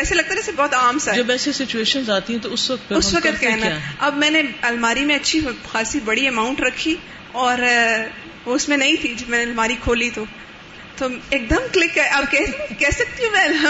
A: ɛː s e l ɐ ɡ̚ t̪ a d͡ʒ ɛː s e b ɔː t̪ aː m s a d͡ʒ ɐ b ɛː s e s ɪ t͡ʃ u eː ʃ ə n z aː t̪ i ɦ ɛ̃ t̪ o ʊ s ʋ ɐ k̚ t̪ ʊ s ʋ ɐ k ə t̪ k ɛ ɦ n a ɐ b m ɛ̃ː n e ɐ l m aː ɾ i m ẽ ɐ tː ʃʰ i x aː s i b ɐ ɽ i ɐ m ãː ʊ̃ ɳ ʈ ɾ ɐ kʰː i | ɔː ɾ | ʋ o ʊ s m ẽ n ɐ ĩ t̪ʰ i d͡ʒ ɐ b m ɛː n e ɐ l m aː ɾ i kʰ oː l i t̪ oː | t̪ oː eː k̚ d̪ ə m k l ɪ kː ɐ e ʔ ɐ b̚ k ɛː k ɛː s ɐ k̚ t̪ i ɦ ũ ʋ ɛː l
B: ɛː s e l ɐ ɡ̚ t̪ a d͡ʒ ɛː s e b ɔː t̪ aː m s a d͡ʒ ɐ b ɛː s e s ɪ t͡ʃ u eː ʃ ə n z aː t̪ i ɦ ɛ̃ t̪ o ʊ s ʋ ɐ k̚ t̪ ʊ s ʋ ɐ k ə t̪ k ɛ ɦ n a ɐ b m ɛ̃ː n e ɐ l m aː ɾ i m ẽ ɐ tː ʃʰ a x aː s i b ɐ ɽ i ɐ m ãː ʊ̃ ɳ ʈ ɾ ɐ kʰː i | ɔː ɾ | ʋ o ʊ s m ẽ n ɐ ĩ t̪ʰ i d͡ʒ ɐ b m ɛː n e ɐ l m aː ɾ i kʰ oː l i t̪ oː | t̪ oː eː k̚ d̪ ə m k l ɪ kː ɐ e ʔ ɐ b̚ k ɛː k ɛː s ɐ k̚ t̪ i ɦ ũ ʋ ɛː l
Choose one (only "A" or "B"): A